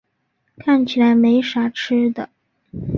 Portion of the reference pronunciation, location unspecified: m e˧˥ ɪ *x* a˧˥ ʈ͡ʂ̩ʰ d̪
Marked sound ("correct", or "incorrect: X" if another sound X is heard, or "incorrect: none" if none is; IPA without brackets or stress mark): incorrect: ʂ